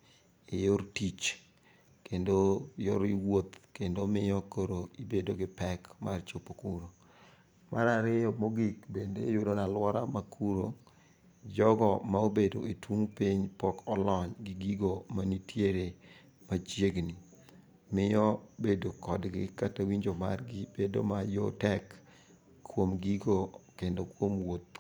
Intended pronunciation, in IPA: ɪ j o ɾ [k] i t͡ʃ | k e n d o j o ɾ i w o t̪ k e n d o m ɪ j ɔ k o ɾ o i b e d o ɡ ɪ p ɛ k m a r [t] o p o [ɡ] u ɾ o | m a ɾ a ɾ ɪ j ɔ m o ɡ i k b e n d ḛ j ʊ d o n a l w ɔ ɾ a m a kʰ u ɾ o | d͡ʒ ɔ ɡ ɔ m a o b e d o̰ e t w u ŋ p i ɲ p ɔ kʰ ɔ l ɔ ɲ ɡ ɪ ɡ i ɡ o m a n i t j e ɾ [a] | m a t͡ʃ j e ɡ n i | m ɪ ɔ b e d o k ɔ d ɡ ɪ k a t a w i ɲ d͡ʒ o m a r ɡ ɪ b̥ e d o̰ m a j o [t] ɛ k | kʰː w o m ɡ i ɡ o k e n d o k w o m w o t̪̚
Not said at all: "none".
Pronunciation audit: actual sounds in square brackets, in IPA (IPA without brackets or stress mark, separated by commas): t, t͡ʃ, k, e, t